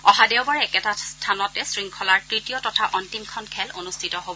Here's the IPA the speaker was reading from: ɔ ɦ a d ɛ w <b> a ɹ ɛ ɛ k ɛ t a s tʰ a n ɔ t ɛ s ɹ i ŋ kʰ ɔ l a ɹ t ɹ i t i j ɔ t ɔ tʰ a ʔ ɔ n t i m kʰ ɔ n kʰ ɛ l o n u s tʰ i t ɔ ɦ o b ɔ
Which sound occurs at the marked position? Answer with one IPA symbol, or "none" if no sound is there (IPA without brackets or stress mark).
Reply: b